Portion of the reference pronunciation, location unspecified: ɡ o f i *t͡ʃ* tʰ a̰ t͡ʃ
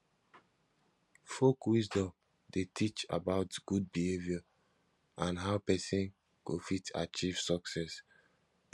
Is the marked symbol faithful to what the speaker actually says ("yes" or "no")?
no